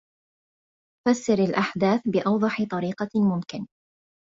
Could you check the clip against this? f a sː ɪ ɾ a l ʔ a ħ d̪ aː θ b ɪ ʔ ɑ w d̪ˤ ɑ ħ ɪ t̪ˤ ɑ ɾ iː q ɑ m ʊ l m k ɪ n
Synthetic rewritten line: f a sː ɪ ɾ a l ʔ a ħ d̪ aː θ b ɪ ʔ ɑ w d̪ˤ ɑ ħ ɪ t̪ˤ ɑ ɾ iː q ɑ m ʊ m k ɪ n